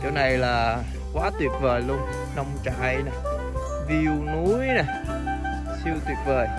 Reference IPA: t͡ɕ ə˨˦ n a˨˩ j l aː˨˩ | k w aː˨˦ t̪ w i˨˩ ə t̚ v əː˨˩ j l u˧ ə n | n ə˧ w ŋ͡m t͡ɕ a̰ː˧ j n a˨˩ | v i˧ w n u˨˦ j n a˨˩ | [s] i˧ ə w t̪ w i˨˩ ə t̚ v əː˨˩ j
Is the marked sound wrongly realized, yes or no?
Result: no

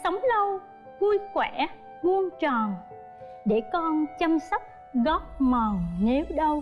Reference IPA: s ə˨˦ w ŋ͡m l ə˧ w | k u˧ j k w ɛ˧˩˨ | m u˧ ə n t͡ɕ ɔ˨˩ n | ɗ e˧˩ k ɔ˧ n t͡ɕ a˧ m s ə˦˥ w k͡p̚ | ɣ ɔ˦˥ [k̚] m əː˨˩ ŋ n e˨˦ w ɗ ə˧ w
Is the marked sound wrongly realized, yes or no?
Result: yes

